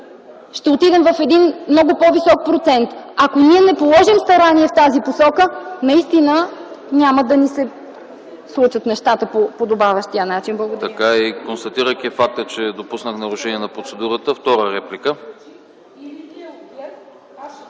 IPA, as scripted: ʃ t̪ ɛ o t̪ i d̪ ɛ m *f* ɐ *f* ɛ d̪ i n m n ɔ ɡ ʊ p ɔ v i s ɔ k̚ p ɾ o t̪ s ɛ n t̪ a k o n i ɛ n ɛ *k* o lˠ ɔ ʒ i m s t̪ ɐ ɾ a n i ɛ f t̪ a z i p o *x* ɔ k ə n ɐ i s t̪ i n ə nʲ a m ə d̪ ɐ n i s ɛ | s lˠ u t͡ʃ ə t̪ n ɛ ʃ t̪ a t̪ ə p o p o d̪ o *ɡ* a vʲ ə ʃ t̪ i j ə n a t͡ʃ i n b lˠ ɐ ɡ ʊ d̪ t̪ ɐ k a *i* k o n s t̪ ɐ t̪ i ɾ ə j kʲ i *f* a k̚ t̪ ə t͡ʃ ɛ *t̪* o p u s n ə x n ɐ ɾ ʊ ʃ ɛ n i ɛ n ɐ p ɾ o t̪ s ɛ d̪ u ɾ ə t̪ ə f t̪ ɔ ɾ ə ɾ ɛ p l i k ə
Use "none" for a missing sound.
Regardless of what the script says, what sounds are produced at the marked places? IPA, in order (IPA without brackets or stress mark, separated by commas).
v, f, p, s, b, i, f, d̪